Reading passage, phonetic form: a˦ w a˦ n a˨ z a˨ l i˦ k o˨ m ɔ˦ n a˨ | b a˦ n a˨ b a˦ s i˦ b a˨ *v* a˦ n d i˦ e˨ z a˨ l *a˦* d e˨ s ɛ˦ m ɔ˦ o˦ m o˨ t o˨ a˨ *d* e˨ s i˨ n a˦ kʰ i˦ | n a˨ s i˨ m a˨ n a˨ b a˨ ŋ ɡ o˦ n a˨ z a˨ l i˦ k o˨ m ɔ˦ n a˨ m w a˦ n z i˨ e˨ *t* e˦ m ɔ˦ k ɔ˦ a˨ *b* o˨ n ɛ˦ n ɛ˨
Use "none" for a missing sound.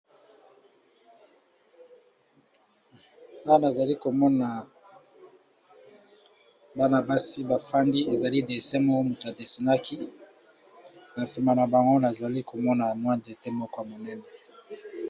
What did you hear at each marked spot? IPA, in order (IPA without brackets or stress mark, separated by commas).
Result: f, i˦, d, t, m